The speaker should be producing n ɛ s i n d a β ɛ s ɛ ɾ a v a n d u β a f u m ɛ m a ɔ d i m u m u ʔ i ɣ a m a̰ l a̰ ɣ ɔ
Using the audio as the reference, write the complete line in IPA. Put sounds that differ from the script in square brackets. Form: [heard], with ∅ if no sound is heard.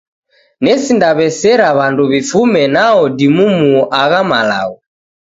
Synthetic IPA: n ɛ s i n d a β ɛ s ɛ ɾ a [β] a n d u β [i] f u m ɛ [n] a ɔ d i m u m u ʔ [a] ɣ a m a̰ l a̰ ɣ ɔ